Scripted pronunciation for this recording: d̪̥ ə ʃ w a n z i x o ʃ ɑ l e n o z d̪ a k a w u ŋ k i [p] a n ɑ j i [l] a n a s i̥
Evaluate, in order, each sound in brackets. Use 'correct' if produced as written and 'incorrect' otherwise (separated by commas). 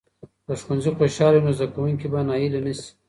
incorrect, correct